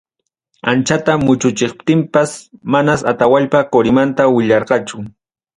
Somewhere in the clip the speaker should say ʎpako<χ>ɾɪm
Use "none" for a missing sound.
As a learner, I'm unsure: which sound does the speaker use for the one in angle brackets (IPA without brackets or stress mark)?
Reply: none